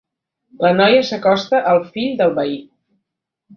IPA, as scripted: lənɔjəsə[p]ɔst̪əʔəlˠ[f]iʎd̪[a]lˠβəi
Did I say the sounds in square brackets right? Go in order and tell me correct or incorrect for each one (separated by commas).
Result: incorrect, correct, incorrect